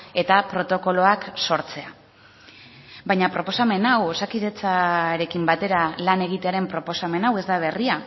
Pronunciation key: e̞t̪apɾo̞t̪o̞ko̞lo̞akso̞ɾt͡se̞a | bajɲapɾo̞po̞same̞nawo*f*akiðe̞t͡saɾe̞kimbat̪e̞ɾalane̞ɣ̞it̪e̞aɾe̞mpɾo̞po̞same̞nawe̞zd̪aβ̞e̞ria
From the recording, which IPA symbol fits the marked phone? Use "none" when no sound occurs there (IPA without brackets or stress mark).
s